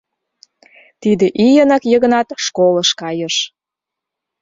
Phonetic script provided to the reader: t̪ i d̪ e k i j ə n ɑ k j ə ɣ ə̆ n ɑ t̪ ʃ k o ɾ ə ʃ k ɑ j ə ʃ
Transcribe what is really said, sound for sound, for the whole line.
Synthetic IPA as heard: t̪ i d̪ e ʔ i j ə n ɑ k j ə ɣ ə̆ n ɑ t̪ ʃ k o l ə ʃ k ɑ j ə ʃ